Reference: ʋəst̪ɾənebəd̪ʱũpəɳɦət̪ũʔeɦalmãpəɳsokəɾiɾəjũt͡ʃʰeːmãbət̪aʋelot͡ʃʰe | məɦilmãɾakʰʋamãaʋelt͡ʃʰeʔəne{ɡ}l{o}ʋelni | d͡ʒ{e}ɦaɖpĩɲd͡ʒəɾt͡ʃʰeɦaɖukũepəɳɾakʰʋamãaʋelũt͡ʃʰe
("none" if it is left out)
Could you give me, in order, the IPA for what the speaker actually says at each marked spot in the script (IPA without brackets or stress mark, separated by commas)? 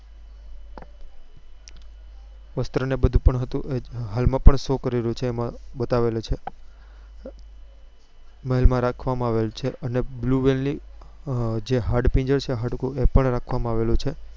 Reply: b, u, e